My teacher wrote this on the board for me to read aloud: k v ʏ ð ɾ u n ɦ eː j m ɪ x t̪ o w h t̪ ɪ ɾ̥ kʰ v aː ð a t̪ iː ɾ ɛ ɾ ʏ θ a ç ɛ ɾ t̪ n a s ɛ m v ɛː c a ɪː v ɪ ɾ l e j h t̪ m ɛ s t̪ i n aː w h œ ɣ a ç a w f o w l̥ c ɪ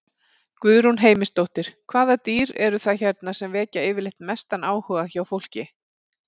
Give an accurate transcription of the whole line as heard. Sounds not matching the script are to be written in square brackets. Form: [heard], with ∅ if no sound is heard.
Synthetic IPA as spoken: k v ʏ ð ɾ u n ɦ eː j m ɪ [s] t̪ o w h t̪ ɪ ɾ̥ kʰ v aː ð a t̪ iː ɾ ɛ ɾ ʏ θ a ç ɛ ɾ t̪ n a s ɛ m v ɛː c a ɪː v ɪ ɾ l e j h t̪ m ɛ s t̪ [a] n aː w h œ ɣ a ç a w f o w l̥ c ɪ